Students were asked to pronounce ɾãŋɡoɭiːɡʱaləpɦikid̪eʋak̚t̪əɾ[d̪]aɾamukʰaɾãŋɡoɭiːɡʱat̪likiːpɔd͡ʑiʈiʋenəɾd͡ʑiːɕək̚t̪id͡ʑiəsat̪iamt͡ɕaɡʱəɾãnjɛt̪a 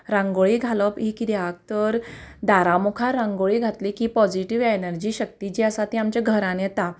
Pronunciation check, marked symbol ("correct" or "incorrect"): correct